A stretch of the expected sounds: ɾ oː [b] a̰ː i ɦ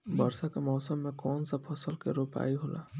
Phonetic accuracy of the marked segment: incorrect: p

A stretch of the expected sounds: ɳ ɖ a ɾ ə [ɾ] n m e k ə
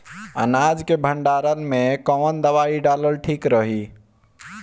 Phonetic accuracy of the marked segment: incorrect: none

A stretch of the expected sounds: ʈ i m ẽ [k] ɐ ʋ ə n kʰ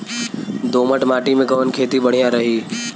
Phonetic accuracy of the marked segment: incorrect: ɡ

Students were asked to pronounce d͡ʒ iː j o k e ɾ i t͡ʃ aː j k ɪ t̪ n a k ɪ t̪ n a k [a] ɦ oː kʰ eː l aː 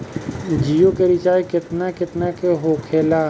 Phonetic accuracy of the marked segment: incorrect: e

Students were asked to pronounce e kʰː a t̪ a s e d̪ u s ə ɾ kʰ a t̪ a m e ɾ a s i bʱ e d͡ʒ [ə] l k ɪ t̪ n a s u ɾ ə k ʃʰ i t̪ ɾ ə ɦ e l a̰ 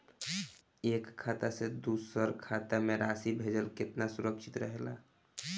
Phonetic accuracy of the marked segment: correct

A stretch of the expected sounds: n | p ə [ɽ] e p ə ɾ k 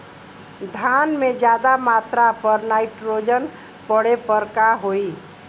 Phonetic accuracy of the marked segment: correct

